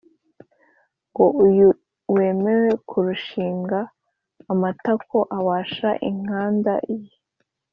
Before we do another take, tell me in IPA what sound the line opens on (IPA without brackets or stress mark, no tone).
ŋ